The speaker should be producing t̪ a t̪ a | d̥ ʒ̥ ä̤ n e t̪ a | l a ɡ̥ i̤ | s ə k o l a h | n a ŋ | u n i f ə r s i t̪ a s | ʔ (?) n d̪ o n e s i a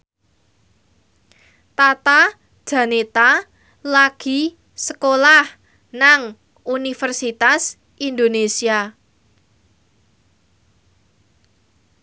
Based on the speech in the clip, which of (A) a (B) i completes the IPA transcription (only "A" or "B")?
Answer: B